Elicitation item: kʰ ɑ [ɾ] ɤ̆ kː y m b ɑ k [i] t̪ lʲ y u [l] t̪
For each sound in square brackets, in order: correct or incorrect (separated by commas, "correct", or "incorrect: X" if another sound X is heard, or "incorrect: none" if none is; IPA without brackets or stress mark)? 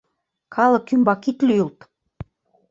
incorrect: l, correct, correct